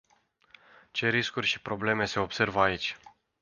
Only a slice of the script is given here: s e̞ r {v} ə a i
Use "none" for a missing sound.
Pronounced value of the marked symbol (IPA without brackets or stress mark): v